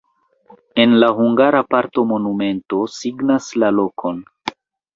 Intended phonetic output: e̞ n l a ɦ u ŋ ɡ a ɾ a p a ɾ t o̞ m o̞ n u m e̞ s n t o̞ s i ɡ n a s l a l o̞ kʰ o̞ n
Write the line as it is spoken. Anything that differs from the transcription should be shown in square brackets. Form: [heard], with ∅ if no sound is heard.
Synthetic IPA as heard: e̞ n l a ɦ u ŋ ɡ a ɾ a p a ɾ t o̞ m o̞ n u m e̞ [∅] n t o̞ s i ɡ n a s l a l o̞ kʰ o̞ n